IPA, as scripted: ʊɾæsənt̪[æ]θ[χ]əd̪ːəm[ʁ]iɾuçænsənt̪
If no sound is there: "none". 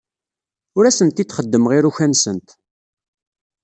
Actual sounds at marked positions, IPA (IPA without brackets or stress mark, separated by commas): i, χ, ʁ